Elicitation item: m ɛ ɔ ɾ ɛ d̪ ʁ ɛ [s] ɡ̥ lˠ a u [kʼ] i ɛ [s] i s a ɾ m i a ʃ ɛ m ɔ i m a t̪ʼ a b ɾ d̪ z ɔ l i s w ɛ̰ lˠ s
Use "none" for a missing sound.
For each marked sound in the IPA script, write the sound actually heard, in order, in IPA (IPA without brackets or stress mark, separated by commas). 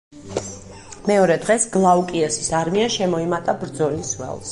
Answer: s, kʼ, s